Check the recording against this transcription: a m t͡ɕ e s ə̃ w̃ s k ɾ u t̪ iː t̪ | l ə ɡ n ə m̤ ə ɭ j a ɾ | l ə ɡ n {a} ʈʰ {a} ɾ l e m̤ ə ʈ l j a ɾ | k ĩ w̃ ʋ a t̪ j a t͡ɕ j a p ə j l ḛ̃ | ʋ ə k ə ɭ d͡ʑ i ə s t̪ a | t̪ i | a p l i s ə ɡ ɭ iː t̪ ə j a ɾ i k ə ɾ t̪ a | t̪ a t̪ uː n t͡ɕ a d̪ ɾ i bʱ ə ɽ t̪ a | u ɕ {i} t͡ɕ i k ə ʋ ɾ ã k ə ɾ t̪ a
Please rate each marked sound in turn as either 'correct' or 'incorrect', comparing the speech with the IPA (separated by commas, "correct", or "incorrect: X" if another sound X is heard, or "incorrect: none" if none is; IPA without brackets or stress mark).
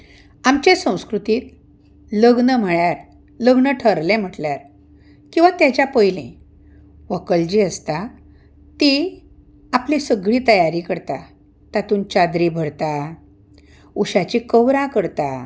incorrect: ə, incorrect: ə, incorrect: a